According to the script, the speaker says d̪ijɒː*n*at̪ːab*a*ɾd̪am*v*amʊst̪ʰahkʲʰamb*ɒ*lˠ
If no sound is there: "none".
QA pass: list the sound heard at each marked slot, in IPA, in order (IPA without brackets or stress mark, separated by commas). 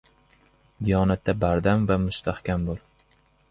n, a, v, o